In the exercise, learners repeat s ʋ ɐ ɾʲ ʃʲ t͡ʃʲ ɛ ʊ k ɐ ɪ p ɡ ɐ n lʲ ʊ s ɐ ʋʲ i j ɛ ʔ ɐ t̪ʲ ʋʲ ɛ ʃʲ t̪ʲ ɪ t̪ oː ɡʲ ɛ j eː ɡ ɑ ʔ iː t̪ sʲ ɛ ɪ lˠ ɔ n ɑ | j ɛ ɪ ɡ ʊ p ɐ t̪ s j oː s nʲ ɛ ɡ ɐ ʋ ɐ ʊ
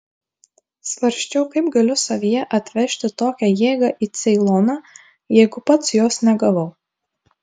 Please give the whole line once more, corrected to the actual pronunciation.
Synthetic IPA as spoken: s ʋ ɐ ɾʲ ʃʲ t͡ʃʲ ɛ ʊ k ɐ ɪ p ɡ ɐ lʲ ʊ s ɐ ʋʲ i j ɛ ʔ ɐ t̪ʲ ʋʲ ɛ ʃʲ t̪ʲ ɪ t̪ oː kʲ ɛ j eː ɡ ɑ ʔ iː t̪ sʲ ɛ ɪ lˠ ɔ n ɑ | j ɛ ɪ ɡ ʊ p ɐ t̪ s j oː s nʲ ɛ ɡ ɐ ʋ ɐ ʊ